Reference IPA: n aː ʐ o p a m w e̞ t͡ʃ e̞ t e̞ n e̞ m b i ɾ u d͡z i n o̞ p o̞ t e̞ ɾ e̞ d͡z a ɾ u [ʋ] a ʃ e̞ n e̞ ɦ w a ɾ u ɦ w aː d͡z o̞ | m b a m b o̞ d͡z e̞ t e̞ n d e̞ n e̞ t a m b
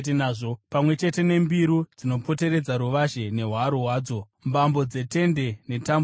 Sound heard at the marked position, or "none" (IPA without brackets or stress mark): ʋ